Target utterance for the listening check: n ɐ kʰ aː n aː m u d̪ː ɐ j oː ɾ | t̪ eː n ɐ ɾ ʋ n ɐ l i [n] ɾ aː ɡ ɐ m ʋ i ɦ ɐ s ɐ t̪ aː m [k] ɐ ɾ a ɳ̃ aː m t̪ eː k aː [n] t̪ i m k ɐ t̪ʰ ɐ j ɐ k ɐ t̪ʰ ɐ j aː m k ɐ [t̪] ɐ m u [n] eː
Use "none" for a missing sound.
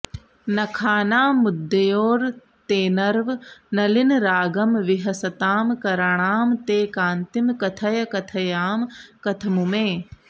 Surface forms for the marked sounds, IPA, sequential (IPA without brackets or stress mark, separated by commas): n, k, n, t̪ʰ, m